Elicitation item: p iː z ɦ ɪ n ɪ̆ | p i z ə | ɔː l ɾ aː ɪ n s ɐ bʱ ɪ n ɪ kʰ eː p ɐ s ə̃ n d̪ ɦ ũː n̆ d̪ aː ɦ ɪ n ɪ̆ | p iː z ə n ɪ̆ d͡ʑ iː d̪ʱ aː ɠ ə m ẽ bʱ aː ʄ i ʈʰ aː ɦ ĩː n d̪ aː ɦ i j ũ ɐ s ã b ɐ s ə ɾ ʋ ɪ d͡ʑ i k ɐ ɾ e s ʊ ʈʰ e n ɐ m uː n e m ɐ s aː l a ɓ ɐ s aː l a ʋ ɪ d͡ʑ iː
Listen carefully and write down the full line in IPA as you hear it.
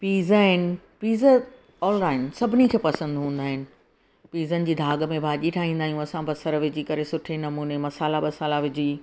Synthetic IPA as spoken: p iː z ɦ ɪ n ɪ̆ | p iː z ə | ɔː l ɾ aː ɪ n s ɐ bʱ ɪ n i kʰ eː p ɐ s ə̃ n d̪ ɦ ũː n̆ d̪ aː ɦ ɪ n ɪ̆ | p iː z ə n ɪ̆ d͡ʑ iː d̪ʱ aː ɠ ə m ẽ bʱ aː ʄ i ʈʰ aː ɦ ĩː n d̪ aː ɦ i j ũ ɐ s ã b ɐ s ə ɾ ʋ ɪ d͡ʑ i k ɐ ɾ e s ʊ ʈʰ e n ɐ m uː n e m ɐ s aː l a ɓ ɐ s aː l a ʋ ɪ d͡ʑ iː